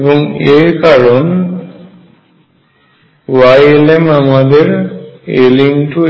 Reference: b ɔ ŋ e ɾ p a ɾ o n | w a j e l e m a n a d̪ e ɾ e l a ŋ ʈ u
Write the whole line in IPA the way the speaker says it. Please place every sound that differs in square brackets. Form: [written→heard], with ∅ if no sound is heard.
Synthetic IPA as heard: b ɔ ŋ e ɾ [p→k] a ɾ o n | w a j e l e m a [n→m] a d̪ e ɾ e l [a→i] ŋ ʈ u